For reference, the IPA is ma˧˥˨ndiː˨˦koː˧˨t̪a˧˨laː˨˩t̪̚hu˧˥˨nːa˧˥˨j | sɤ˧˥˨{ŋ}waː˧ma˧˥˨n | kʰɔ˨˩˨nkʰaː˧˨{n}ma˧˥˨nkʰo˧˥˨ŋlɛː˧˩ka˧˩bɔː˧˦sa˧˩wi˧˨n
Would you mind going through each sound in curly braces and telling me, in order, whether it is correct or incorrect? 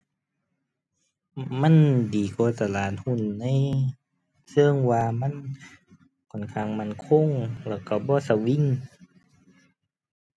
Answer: correct, incorrect

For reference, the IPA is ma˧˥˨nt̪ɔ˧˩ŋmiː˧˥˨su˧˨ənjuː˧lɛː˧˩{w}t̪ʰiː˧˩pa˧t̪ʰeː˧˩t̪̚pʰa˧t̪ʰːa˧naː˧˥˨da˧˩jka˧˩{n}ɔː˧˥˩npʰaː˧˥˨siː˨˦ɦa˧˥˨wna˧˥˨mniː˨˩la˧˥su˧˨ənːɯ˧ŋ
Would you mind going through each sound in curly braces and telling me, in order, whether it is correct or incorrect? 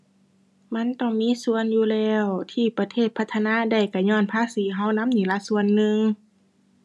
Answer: correct, incorrect

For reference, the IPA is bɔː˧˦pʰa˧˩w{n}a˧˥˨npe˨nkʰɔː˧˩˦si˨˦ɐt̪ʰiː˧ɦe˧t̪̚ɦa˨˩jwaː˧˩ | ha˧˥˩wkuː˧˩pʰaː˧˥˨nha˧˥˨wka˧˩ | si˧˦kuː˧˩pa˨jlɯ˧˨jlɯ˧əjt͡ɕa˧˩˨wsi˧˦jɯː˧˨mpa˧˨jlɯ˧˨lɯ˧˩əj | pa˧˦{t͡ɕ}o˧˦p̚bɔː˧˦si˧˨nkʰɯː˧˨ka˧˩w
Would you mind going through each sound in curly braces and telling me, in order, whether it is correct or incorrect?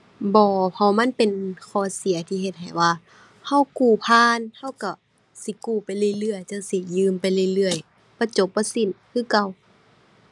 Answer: incorrect, correct

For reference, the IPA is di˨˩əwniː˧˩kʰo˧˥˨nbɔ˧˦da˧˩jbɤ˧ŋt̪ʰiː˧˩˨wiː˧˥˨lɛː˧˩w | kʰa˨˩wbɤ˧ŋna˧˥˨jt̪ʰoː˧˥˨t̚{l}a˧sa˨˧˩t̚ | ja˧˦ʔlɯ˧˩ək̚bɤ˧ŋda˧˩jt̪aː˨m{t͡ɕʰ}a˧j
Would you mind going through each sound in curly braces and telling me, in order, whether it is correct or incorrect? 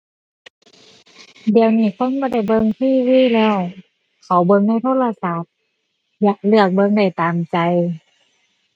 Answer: correct, incorrect

